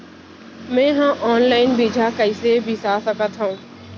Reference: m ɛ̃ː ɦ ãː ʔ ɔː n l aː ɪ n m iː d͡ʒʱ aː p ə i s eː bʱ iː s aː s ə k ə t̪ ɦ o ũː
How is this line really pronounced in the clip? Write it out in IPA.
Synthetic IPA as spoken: m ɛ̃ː ɦ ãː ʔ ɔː n l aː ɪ n b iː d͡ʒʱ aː k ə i s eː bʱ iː s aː s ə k ə t̪ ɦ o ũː